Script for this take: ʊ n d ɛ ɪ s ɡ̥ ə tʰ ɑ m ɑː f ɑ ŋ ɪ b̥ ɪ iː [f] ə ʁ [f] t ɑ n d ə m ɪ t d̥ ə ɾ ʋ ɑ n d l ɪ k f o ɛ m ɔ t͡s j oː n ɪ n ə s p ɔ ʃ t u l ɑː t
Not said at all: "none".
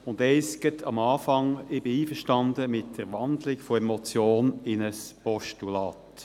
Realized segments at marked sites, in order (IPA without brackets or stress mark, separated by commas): f, ʃ